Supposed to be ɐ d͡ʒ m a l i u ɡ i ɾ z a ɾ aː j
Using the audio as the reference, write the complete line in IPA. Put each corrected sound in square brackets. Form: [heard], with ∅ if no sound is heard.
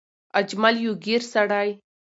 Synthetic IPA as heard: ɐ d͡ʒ m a l [j] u ɡ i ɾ [s] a [ɽ] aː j

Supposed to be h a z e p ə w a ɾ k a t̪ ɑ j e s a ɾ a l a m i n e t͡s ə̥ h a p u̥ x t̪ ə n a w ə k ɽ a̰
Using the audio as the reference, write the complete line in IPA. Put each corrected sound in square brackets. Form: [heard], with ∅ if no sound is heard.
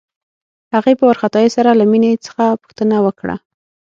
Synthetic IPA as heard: h a [ɣ] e p ə w a ɾ [x] a t̪ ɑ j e s a ɾ a l a m i n e t͡s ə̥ [x] a p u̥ x t̪ ə n a w ə k ɽ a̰

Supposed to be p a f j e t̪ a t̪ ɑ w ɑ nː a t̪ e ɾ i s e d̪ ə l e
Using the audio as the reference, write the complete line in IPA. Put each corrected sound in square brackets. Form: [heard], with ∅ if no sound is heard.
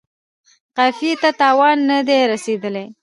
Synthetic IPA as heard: [q] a f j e t̪ a t̪ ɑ w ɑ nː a [d̪] e ɾ [a] s e d̪ ə l e

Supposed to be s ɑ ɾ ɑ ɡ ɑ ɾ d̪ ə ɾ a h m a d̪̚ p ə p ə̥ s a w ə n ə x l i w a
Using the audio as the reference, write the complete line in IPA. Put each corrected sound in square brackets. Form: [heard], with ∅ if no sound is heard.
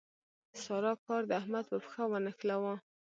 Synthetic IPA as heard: s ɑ ɾ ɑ [k] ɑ ɾ d̪ ə [∅] a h m a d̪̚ p ə p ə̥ [x] a w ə n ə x l [a] w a

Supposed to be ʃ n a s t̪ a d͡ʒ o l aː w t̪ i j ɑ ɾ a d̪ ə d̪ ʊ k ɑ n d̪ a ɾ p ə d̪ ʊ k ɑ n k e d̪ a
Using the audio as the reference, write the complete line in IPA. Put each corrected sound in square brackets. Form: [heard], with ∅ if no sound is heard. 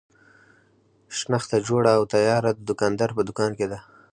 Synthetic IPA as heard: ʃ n a [x] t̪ a d͡ʒ o [ɽ] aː w t̪ [a] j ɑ ɾ a d̪ ə d̪ ʊ k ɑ n d̪ a ɾ p ə d̪ ʊ k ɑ n k e d̪ a

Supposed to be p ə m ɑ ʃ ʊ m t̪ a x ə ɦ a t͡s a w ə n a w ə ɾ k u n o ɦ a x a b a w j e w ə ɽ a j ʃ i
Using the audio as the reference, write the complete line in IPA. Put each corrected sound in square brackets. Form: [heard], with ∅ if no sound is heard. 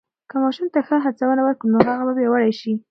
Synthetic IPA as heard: [k] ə m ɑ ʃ [u] m t̪ a x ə ɦ a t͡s a w ə n a w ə ɾ k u n o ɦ a [ɣ] a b a [b] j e w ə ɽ a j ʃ i

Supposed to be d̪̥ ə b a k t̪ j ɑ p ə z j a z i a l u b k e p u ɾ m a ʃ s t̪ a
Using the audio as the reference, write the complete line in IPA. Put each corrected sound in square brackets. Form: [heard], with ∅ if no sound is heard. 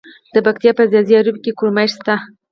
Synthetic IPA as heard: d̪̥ ə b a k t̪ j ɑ p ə z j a z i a [ɾ] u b k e [k] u ɾ m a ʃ s t̪ a

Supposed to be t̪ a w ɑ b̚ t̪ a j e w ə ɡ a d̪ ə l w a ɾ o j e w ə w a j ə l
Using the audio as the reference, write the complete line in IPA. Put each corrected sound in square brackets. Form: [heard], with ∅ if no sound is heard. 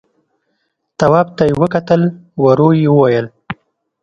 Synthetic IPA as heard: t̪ a w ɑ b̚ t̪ a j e w ə [k] a [t̪] ə l w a ɾ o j e w ə w a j ə l

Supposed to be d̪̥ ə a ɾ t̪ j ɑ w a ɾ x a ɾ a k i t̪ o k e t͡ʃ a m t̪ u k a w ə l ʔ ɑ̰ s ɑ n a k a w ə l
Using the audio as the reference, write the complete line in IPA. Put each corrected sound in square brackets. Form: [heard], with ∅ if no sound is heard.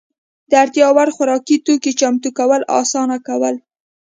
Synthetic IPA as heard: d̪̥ ə a ɾ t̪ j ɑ w a ɾ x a ɾ [ɑ] k i t̪ o k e t͡ʃ a m t̪ u k a w ə l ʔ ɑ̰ s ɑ n a k a w ə l

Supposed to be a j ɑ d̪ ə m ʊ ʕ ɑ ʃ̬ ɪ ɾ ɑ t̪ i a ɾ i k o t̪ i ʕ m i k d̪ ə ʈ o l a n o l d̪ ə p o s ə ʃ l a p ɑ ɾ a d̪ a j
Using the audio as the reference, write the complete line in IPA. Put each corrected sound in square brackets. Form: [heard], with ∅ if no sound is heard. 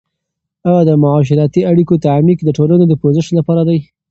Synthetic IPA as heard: a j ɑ d̪ ə m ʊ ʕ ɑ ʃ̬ ɪ ɾ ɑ t̪ i a [ɽ] i k o t̪ [a] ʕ m i k d̪ ə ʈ o l a n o [∅] d̪ ə p o [z] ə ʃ l a p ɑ ɾ a d̪ a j

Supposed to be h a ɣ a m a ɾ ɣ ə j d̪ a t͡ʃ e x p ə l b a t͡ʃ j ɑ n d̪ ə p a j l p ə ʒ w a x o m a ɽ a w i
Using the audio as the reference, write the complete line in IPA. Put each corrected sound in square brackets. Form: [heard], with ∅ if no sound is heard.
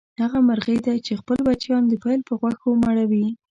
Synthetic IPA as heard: h a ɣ a m a ɾ ɣ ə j d̪ a t͡ʃ e x p ə l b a t͡ʃ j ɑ n d̪ ə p a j l p ə [ɣ] w a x o m a ɽ a w i

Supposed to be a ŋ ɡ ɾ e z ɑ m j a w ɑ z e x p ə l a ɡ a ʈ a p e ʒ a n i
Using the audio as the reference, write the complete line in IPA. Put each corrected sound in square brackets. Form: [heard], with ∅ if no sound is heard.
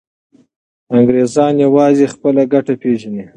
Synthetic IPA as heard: a ŋ ɡ ɾ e z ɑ [n] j a w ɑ z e x p ə l a ɡ a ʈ a p e ʒ a n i

